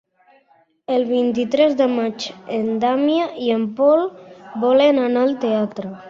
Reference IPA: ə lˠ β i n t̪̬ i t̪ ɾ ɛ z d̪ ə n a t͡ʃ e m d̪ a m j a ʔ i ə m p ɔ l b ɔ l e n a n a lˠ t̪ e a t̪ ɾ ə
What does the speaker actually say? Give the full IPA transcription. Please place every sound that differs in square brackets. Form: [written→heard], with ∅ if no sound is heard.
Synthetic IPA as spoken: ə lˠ β i n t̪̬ i t̪ ɾ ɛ z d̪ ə [n→m] a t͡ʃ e [m→n] d̪ a m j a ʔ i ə m p ɔ l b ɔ l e n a n a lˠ t̪ e a t̪ ɾ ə

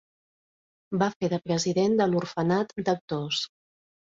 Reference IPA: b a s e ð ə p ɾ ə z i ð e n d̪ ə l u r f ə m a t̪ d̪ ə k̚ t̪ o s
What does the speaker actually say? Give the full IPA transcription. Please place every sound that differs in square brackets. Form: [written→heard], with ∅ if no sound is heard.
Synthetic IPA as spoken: b a [s→f] e ð ə p ɾ ə z i ð e n d̪ ə l u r f ə [m→n] a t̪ d̪ ə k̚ t̪ o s

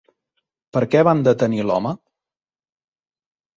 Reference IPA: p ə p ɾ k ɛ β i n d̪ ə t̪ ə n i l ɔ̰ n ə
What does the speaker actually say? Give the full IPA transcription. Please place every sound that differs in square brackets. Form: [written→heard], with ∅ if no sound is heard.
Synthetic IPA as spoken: p ə [p→∅] ɾ k ɛ β [i→a] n d̪ ə t̪ ə n i l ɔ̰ [n→m] ə

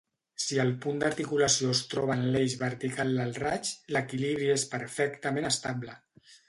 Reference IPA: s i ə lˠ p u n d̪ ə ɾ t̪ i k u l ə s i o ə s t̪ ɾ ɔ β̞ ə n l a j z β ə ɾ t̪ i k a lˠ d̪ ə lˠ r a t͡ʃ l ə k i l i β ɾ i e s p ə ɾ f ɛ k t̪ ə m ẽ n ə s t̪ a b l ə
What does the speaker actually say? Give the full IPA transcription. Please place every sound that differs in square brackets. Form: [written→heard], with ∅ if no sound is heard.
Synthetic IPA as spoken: s i ə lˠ p u n d̪ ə ɾ t̪ i k u l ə s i o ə s t̪ ɾ ɔ β̞ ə n l [a→e] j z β ə ɾ t̪ i k a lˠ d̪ ə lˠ r a t͡ʃ l ə k i l i β ɾ i e s p ə ɾ f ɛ k t̪ ə m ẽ n ə s t̪ a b l ə

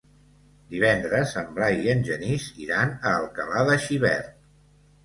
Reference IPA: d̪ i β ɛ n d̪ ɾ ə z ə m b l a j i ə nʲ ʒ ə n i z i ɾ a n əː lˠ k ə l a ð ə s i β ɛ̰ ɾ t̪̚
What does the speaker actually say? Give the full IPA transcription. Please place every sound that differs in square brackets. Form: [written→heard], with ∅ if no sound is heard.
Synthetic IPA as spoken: d̪ i β ɛ n d̪ ɾ ə z ə m b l a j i ə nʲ ʒ ə n i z i ɾ a n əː lˠ k ə l a ð ə [s→ʃ] i β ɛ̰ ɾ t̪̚

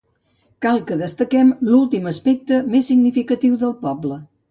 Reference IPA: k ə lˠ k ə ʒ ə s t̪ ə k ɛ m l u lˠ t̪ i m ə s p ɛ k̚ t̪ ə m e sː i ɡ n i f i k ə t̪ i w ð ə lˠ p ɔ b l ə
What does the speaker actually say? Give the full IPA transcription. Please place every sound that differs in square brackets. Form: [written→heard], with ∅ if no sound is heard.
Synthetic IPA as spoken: k [ə→a] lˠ k ə [ʒ→ð] ə s t̪ ə k ɛ m l u lˠ t̪ i m ə s p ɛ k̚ t̪ ə m e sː i ɡ n i f i k ə t̪ i w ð ə lˠ p ɔ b l ə

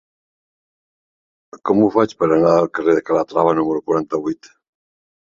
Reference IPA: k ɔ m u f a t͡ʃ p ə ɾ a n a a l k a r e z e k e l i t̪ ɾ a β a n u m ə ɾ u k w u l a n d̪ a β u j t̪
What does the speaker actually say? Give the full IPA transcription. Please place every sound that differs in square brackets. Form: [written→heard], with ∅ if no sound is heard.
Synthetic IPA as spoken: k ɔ m u f a t͡ʃ p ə ɾ a n a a l k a r e [z→ð] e k [e→a] l [i→a] t̪ ɾ a β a n u m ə ɾ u k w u [l→ɾ] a n [d̪→t̪] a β u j t̪

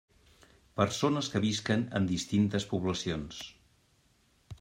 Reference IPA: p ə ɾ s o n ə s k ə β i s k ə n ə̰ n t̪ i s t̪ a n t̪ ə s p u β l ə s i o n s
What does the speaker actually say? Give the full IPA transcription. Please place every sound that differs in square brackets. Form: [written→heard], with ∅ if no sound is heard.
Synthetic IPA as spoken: p ə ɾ s o n ə s k ə β i s k ə n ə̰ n [t̪→d̪] i s t̪ [a→i] n t̪ ə s p u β l ə s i o n s

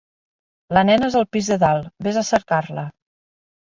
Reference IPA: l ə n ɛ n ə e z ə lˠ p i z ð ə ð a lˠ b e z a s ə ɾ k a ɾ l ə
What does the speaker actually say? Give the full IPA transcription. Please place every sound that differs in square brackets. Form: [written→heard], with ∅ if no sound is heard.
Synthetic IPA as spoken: l ə n ɛ n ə e z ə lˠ p i z ð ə ð a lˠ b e z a s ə ɾ k a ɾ l ə

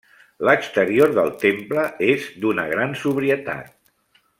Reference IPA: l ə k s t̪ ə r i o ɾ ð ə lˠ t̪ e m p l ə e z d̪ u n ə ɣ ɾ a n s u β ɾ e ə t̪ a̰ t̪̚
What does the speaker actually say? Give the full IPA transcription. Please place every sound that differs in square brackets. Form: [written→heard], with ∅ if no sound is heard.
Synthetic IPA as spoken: l ə k s t̪ ə [r→ɾ] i o ɾ ð ə lˠ t̪ e m p l ə e z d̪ u n ə ɣ ɾ a n s u β ɾ [e→i] ə t̪ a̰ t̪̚

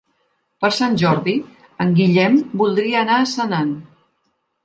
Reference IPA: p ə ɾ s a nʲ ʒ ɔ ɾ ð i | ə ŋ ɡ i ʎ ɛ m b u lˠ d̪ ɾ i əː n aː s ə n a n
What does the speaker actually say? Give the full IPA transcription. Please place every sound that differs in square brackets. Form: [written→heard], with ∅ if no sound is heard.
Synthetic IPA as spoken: p ə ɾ s a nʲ ʒ ɔ ɾ ð i | ə ŋ ɡ i ʎ ɛ m b u lˠ d̪ ɾ i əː n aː s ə n a n

